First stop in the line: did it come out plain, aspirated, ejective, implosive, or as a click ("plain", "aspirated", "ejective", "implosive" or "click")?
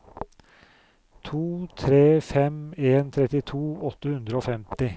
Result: aspirated